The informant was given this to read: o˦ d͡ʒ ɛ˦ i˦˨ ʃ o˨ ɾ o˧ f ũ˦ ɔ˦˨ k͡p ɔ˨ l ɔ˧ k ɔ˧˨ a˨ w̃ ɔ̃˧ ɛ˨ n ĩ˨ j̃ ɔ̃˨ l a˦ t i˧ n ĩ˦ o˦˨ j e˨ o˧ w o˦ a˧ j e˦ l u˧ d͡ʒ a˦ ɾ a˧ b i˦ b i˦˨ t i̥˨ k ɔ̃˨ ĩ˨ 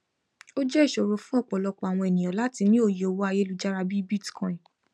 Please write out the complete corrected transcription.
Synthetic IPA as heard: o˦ d͡ʒ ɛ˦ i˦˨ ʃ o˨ ɾ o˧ f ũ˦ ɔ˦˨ k͡p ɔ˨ l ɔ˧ k͡p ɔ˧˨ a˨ w̃ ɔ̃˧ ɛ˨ n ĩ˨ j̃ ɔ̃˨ l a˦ t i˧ n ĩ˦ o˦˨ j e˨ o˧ w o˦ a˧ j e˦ l u˧ d͡ʒ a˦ ɾ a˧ b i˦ b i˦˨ t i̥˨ k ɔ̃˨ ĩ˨